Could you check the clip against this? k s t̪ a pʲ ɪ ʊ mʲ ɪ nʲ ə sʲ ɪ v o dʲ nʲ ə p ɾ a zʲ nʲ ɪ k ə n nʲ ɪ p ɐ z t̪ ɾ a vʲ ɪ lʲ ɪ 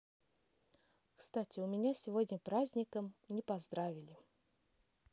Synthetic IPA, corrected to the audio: k s t̪ a tʲ ɪ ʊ mʲ ɪ nʲ a sʲ ɪ v o dʲ nʲ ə p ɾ a zʲ nʲ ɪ k ə m nʲ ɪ p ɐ z d̪ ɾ a vʲ ɪ lʲ ɪ